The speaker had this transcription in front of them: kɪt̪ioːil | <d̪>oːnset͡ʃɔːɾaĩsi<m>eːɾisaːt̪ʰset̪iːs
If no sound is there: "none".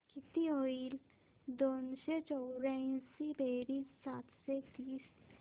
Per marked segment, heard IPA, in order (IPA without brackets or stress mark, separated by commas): d̪, b